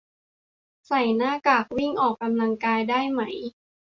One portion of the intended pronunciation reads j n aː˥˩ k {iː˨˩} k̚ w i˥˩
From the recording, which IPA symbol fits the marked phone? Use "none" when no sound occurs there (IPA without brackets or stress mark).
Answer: aː˨˩